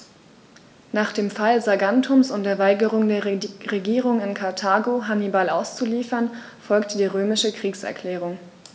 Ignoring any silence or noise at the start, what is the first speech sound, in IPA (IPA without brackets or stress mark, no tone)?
n